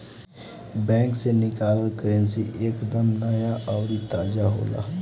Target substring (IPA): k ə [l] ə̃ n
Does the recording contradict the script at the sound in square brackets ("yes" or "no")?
yes